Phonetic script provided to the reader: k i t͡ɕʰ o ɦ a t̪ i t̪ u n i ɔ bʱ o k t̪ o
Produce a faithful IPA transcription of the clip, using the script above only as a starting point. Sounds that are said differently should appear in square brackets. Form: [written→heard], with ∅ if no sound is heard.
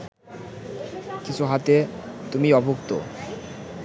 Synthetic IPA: k i t͡ɕʰ [o→u] ɦ a t̪ [i→e] t̪ u [n→m] i ɔ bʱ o k t̪ o